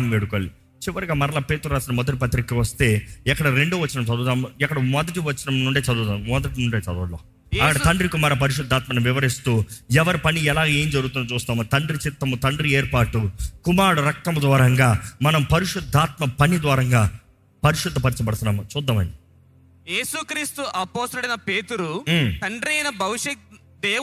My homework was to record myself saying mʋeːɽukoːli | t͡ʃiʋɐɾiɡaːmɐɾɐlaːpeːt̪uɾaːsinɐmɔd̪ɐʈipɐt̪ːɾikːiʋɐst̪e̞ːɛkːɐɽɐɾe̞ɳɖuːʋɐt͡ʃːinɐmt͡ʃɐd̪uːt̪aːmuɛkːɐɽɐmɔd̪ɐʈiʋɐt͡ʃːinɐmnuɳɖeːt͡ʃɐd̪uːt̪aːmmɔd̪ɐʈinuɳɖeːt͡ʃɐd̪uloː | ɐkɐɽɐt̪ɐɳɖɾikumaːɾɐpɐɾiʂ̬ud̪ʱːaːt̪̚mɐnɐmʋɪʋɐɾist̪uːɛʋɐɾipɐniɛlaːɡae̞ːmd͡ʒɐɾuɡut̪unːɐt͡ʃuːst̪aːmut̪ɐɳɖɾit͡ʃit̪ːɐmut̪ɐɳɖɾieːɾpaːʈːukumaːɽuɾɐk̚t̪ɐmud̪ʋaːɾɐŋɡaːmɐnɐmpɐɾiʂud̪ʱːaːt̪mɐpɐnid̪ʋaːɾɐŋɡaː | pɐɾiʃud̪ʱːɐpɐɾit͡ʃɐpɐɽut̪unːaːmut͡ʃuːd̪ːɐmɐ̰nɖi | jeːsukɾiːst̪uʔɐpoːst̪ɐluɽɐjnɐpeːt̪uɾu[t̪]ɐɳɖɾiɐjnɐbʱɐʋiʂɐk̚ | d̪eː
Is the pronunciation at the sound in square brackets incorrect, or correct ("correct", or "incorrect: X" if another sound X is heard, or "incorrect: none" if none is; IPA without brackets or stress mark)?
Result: correct